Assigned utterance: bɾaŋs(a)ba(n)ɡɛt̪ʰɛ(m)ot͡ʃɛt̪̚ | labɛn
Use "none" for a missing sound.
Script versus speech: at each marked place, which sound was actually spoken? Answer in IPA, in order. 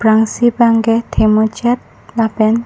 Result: i, ŋ, m

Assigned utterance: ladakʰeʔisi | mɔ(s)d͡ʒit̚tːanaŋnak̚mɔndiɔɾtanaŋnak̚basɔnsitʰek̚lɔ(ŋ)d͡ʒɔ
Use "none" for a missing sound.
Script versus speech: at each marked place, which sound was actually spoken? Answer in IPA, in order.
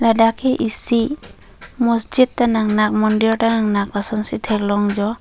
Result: s, ŋ

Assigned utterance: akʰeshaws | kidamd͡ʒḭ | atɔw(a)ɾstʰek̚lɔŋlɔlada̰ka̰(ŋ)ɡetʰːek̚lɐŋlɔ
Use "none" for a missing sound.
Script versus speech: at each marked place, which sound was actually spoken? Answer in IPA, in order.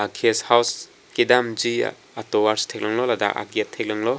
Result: a, none

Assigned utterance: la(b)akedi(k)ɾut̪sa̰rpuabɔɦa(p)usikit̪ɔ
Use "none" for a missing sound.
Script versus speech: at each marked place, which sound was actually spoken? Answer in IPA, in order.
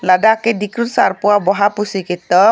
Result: d, k, p

